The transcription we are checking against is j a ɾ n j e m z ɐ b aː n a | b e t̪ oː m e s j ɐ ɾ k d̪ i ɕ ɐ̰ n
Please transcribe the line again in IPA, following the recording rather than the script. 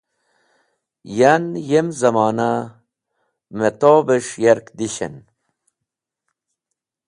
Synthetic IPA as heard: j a n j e m z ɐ m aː n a | m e t̪ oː b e ʂ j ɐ ɾ k d̪ i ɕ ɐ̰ n